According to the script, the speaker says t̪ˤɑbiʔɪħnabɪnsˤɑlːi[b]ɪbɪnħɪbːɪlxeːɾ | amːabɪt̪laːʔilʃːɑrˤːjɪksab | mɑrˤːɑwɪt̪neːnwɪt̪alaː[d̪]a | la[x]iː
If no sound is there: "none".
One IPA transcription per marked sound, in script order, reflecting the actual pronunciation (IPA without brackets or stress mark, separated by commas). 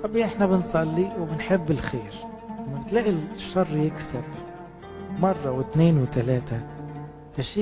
w, t̪, ʃ